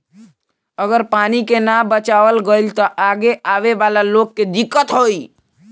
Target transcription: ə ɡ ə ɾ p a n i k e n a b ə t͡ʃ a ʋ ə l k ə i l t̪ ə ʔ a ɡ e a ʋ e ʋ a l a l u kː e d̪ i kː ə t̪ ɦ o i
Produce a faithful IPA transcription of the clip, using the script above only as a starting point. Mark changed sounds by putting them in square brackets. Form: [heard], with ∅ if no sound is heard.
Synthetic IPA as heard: ə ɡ ə ɾ p a n i k e n a b ə t͡ʃ a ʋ ə l [ɡ] ə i l t̪ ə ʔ a ɡ e a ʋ e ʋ a l a l [o] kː e d̪ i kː ə t̪ ɦ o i